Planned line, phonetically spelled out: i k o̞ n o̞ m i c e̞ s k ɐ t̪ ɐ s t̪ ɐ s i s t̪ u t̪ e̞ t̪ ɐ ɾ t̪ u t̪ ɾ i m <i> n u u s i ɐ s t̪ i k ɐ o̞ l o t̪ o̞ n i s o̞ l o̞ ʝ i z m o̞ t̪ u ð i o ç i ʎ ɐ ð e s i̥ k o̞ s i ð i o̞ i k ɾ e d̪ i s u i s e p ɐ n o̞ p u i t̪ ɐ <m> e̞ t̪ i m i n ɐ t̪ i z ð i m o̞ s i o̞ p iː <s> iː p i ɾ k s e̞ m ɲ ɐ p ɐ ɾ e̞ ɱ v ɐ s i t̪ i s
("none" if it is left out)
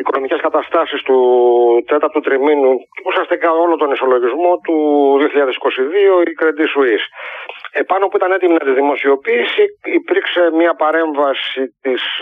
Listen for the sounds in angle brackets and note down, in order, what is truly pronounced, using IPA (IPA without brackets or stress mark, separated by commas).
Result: i, n, s